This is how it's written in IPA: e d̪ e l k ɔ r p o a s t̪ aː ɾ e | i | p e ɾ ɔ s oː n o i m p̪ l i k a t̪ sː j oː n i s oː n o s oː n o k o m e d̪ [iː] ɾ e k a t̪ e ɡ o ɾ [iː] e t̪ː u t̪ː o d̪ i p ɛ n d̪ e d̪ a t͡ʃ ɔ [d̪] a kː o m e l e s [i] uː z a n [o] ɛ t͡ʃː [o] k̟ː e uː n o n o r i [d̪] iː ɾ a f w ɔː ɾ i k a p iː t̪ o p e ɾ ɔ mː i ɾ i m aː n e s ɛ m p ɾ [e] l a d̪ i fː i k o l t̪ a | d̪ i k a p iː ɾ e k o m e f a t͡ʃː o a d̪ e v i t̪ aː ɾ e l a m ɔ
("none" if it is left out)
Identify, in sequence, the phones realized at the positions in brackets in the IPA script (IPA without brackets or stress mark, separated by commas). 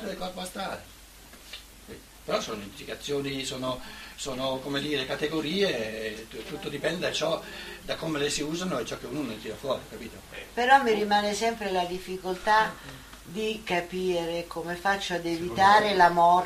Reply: iː, iː, d̪, i, o, ɔ, t̪, e